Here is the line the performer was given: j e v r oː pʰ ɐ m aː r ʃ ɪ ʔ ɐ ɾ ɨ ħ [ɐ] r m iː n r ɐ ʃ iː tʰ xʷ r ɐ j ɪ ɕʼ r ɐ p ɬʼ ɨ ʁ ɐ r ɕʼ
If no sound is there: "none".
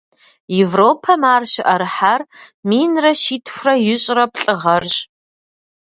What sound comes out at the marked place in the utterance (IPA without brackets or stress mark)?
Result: a